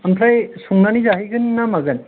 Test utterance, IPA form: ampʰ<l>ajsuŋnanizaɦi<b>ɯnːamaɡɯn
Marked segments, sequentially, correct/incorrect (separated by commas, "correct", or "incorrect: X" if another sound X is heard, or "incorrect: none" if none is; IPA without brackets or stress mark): incorrect: ɾ, incorrect: ɡ